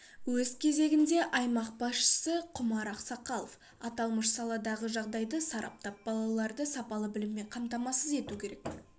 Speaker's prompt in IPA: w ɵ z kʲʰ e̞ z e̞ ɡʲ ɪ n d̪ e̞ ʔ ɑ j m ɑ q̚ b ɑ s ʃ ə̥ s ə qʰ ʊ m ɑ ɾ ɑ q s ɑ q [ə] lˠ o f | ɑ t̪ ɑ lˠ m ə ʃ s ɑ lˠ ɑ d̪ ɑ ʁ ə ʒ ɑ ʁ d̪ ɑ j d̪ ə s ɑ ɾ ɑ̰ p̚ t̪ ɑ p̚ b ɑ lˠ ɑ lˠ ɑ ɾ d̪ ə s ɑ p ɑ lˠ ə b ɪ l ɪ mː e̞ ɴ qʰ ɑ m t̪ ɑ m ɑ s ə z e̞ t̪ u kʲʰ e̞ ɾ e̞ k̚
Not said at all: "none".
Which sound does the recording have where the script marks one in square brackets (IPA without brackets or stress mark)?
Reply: ɑ